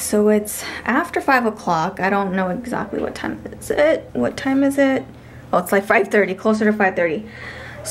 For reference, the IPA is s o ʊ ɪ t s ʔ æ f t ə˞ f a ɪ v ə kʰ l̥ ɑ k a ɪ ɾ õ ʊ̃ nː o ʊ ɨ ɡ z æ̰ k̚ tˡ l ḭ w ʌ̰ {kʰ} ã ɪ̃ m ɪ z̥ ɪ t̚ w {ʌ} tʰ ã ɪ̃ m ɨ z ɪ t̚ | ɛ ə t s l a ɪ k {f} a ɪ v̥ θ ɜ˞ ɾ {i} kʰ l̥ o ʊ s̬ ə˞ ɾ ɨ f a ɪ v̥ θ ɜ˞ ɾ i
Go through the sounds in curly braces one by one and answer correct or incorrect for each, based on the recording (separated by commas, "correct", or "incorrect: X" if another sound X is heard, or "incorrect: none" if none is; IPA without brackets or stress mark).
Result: incorrect: tʰ, correct, correct, correct